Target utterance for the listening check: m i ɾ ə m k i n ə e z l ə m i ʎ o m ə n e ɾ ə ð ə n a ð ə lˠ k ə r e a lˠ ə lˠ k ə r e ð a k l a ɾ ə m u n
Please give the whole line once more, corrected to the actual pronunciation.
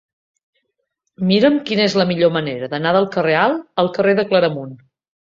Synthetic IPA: m i ɾ ə m k i n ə e z l ə m i ʎ o m ə n e ɾ ə ð ə n a ð ə lˠ k ə r e a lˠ ə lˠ k ə r e ð ə k l ə ɾ ə m u n